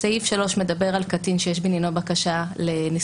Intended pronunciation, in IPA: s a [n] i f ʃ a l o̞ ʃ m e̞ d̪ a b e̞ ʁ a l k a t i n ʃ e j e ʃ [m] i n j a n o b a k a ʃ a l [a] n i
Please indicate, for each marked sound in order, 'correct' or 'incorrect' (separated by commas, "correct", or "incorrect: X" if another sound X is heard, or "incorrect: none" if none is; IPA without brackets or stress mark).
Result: incorrect: none, incorrect: b, incorrect: e